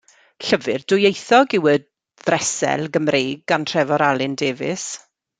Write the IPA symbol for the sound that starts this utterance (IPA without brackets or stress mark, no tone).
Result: ɬ